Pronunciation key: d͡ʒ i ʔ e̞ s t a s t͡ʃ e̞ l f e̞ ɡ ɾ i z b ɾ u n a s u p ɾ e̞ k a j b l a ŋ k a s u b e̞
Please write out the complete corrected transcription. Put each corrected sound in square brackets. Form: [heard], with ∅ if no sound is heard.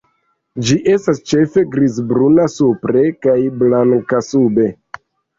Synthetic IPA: d͡ʒ i ʔ e̞ s t a s t͡ʃ e̞ [∅] f e̞ ɡ ɾ i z b ɾ u n a s u p ɾ e̞ k a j b l a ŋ k a s u b e̞